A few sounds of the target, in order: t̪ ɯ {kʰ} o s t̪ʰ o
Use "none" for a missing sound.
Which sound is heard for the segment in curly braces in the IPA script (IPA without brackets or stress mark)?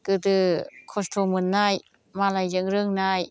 kʰ